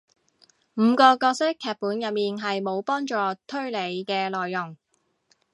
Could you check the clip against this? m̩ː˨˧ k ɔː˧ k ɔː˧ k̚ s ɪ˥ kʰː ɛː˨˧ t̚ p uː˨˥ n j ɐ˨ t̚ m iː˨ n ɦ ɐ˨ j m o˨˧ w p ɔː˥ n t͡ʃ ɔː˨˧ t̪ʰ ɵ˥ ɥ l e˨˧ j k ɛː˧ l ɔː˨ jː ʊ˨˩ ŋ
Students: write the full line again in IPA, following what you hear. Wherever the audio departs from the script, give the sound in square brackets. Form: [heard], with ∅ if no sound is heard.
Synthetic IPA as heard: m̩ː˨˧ k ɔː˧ k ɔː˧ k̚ s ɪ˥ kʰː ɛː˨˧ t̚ p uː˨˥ n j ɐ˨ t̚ m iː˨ n ɦ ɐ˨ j m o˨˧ w p ɔː˥ [ŋ] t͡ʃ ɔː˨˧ t̪ʰ ɵ˥ ɥ l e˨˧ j k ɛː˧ l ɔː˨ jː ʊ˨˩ ŋ

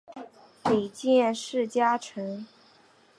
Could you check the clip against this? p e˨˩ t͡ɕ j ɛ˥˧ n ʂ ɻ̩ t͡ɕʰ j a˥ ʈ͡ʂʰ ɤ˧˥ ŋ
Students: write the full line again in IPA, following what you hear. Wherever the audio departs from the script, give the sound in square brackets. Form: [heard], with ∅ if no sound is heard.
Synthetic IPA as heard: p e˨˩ t͡ɕ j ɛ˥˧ n ʂ ɻ̩ [t͡ɕ] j a˥ ʈ͡ʂʰ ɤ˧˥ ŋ

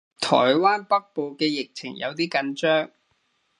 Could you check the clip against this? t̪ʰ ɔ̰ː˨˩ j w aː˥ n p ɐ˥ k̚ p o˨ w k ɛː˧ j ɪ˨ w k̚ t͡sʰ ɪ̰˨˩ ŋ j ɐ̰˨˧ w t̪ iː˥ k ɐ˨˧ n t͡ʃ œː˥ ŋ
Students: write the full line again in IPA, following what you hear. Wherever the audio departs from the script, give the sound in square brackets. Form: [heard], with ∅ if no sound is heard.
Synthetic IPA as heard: t̪ʰ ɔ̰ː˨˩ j w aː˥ n p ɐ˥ k̚ p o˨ w k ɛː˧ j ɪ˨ [∅] k̚ t͡sʰ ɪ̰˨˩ ŋ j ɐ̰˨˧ w t̪ iː˥ k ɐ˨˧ n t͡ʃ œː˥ ŋ

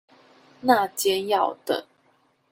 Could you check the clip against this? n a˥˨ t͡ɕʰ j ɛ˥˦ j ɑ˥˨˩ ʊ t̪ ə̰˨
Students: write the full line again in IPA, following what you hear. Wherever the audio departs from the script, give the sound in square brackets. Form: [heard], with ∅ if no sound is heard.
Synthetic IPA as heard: n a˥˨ [t͡ɕ] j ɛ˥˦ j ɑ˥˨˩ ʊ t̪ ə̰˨

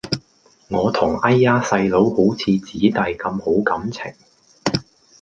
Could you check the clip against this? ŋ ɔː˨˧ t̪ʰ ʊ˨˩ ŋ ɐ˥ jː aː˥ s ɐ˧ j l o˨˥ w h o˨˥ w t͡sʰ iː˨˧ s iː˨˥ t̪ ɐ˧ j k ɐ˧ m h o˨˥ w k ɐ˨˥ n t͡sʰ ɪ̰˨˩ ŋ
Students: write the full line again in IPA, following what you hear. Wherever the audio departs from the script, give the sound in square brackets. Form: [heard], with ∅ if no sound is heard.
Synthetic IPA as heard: ŋ ɔː˨˧ t̪ʰ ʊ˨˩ ŋ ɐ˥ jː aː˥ s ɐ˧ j l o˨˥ w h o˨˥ w t͡sʰ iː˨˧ [t͡s] iː˨˥ t̪ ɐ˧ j k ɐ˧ m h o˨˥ w k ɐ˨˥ [m] t͡sʰ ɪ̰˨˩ ŋ

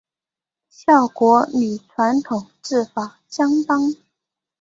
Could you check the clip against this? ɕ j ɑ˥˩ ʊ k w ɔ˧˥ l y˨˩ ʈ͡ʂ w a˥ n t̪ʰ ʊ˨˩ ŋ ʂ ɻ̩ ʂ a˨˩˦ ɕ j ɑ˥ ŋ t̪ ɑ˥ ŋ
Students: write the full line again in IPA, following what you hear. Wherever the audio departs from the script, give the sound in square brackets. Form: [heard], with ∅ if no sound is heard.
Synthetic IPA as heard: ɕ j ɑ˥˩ ʊ k w ɔ˧˥ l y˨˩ [ʈ͡ʂʰ] w [a˧˥] n t̪ʰ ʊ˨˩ ŋ [ʈ͡ʂ] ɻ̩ [f] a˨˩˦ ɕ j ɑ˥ ŋ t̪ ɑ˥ ŋ

